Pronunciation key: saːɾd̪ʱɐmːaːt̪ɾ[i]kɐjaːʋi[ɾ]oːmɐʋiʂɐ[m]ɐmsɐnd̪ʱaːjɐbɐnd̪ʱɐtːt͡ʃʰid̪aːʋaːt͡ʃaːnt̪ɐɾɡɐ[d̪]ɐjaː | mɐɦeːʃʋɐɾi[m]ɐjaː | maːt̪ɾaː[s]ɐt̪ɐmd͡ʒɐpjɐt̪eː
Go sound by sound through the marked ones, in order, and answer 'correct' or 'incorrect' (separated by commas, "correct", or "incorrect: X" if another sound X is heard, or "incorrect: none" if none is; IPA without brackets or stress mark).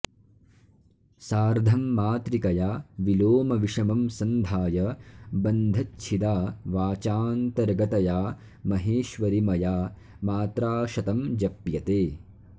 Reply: correct, incorrect: l, correct, incorrect: t̪, correct, incorrect: ʃ